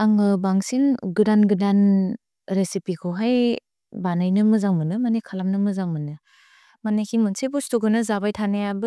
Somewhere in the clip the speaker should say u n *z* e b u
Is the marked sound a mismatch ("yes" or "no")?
yes